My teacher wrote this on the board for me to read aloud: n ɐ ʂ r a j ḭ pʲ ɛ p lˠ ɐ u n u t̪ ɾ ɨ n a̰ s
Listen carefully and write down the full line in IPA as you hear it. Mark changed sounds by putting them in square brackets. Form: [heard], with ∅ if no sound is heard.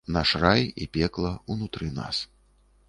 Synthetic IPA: n [a] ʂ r a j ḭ pʲ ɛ [k] lˠ ɐ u n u t̪ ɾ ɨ n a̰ s